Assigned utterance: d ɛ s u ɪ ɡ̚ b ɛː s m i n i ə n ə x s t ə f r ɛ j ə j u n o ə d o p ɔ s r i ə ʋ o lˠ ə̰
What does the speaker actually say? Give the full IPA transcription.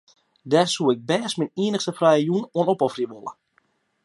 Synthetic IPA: d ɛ s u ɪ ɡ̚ b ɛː s m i n i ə n ə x s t ə f r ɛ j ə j u n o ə n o p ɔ f r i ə ʋ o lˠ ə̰